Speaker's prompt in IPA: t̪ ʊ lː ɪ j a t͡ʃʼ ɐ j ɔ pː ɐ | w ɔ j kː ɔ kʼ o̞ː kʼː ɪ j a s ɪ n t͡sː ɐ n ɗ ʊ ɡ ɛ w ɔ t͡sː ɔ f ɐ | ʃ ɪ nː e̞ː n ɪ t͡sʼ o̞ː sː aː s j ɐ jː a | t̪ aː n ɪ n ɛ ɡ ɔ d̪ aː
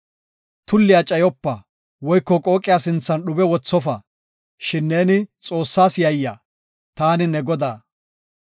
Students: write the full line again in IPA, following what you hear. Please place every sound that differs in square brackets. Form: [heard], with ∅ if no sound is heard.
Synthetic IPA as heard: t̪ ʊ lː ɪ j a t͡ʃʼ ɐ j ɔ pː ɐ | w ɔ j kː ɔ kʼ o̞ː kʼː ɪ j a s ɪ n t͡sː ɐ n ɗ ʊ [b] ɛ w ɔ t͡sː ɔ f ɐ | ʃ ɪ nː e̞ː n ɪ t͡sʼ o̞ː sː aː s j ɐ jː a | t̪ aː n ɪ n ɛ ɡ ɔ d̪ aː